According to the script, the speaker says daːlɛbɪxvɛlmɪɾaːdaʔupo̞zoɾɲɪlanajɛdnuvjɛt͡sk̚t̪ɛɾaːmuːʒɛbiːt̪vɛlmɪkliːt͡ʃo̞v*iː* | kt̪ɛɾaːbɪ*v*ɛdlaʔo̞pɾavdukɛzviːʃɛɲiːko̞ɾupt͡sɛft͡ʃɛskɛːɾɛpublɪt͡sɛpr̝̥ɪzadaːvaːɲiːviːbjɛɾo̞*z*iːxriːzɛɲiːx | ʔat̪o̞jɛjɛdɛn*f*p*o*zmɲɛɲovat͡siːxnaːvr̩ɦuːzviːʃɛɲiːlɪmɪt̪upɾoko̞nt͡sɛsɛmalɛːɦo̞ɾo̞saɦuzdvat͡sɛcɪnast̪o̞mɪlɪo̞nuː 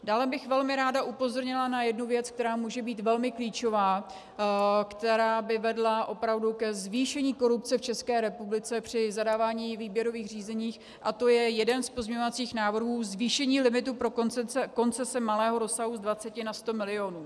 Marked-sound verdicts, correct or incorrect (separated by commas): incorrect, correct, incorrect, incorrect, correct